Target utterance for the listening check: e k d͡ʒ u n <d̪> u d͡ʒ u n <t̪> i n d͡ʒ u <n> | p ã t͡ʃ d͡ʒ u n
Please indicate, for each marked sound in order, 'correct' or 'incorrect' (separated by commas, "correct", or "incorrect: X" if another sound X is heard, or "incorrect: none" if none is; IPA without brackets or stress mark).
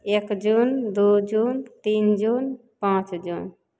correct, correct, correct